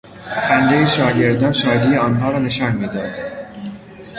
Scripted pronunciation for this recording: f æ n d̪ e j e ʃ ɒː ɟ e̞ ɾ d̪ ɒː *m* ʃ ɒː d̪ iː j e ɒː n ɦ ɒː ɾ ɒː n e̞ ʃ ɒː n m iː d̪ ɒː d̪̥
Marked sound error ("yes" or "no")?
yes